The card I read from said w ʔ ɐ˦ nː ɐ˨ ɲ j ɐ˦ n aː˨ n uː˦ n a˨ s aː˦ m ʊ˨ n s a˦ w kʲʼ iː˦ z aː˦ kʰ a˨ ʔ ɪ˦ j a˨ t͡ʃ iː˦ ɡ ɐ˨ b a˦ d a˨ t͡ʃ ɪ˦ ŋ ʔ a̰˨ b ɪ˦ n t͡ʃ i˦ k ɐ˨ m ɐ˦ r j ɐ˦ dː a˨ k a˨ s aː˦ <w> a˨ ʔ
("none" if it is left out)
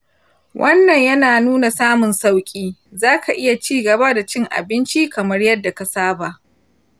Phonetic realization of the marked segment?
b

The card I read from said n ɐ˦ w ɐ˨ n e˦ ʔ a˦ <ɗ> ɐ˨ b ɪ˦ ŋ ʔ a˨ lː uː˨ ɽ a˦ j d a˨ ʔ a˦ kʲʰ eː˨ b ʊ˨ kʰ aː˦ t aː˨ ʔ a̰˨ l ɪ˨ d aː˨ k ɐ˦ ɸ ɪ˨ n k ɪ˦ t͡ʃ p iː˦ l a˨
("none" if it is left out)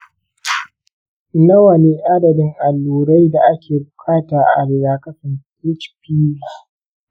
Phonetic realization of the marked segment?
d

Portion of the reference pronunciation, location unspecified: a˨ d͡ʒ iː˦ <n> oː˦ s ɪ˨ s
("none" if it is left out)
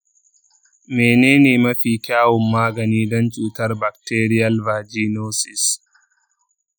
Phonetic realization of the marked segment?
n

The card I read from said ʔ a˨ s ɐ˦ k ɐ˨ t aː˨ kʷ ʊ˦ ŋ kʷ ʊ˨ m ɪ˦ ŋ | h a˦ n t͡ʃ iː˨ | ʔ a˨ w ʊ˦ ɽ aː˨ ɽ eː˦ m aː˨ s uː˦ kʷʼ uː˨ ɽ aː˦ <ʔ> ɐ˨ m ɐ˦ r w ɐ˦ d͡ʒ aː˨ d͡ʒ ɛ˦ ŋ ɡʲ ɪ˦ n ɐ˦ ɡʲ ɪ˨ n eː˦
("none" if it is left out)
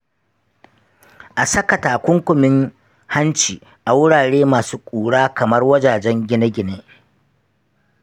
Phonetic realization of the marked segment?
k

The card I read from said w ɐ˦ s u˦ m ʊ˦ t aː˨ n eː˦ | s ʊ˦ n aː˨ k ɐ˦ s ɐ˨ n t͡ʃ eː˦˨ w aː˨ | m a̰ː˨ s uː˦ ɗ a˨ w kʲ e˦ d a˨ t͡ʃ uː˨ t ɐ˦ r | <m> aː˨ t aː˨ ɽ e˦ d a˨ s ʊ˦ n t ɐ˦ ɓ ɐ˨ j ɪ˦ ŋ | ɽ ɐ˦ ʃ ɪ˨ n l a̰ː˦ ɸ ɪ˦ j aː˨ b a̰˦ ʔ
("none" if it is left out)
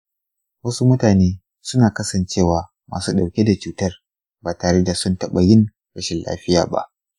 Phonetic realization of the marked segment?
b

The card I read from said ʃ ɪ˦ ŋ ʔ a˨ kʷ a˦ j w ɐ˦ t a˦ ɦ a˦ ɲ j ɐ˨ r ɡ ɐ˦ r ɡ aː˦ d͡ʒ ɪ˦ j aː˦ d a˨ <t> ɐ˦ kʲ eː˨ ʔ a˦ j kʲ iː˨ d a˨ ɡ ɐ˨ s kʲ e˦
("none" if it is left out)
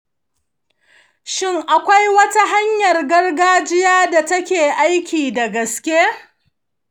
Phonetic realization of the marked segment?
t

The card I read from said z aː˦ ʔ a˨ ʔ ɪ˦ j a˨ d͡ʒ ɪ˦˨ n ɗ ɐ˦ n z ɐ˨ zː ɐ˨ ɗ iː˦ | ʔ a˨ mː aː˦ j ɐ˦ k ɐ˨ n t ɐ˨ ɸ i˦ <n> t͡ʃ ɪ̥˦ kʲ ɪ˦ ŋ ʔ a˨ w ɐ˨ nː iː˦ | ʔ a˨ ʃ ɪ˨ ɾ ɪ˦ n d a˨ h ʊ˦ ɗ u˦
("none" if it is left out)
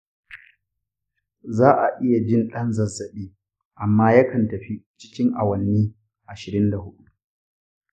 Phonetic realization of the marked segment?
none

